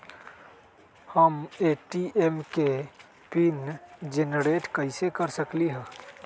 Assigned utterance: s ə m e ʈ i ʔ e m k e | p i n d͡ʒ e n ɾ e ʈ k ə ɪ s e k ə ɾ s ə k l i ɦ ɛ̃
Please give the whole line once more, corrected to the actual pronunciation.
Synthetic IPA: h ə m e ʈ i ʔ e m k e | p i n d͡ʒ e n ɾ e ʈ k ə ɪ s e k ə ɾ s ə k l i ɦ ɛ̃